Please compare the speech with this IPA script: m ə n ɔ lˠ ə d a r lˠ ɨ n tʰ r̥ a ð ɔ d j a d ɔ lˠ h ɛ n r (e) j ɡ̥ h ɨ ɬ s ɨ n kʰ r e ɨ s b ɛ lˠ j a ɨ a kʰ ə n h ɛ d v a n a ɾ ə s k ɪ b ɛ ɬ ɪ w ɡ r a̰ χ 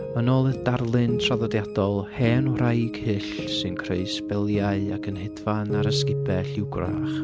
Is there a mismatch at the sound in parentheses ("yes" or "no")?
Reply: yes